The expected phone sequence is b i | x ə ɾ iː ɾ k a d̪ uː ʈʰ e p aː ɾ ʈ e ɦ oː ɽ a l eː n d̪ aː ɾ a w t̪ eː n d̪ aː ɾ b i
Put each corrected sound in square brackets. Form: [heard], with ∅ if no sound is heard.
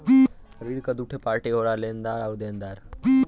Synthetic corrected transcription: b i | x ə ɾ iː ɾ k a d̪ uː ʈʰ e p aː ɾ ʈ e ɦ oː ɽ a l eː n d̪ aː ɾ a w [d̪] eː n d̪ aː ɾ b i